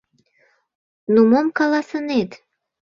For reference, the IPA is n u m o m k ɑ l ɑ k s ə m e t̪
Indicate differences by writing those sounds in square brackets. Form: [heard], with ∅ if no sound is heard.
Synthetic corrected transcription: n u m o m k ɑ l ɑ [∅] s ə [n] e t̪